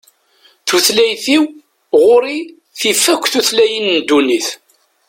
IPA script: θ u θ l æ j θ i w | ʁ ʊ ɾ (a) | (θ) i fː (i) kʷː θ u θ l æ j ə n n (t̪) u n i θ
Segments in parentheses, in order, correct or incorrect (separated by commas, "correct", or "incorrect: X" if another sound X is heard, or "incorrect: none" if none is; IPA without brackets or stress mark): incorrect: i, correct, incorrect: æ, incorrect: d̪